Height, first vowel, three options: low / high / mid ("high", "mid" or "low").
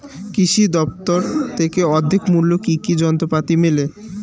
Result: high